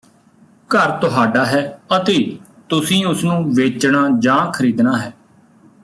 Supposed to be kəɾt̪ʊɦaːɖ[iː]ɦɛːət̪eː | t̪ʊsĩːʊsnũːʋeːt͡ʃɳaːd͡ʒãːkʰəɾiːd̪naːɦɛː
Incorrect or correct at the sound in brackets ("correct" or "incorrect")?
incorrect